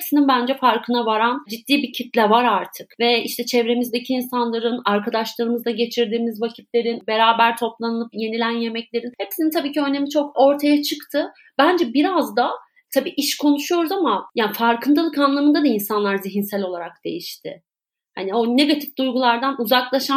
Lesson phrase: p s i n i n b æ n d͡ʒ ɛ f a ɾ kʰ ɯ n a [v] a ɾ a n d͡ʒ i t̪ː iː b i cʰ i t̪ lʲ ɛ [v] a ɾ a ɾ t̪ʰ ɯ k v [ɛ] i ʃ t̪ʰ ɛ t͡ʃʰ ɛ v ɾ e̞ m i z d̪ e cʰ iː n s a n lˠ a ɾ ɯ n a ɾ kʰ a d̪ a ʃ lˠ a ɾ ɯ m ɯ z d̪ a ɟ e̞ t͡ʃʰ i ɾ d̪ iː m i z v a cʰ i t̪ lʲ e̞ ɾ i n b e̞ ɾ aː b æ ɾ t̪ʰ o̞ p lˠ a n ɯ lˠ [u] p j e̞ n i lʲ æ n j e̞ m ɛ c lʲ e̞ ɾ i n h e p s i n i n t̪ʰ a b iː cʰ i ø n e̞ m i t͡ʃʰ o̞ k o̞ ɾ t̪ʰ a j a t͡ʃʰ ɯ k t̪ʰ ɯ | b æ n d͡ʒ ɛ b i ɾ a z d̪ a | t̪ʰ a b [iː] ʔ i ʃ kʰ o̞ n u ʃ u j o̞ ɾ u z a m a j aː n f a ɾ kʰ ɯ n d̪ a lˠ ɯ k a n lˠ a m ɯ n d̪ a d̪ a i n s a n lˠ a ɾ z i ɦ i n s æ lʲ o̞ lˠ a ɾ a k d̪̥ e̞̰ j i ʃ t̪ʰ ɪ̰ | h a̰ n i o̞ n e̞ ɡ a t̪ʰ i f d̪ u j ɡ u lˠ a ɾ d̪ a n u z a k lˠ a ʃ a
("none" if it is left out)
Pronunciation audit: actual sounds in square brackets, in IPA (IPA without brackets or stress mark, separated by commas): v, v, ɛ, ɯ, iː